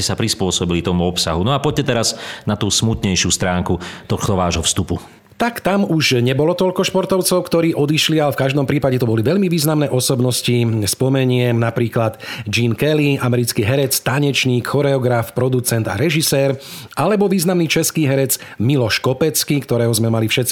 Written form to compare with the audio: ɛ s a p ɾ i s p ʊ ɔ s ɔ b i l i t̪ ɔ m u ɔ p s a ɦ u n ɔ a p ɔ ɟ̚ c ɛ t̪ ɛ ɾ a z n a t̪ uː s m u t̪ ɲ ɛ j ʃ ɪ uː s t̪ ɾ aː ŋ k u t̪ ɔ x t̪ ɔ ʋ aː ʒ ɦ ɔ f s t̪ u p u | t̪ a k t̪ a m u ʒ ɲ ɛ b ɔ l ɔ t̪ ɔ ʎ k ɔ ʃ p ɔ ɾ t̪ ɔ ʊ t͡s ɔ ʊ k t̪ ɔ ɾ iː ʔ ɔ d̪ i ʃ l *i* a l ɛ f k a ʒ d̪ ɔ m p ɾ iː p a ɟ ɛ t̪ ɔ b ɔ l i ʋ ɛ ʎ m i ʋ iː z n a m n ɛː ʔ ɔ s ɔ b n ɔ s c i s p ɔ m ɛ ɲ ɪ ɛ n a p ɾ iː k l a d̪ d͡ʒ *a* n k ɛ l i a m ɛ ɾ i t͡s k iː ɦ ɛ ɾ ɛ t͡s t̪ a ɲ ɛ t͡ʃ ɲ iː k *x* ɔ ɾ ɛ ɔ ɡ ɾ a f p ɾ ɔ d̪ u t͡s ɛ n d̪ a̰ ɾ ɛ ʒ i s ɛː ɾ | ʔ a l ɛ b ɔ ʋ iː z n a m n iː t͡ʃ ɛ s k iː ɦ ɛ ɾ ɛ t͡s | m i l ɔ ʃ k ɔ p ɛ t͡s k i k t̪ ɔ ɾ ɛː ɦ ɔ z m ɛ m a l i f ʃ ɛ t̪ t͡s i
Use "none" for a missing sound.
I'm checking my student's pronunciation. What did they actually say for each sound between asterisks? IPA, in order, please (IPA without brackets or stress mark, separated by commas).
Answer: i, i, x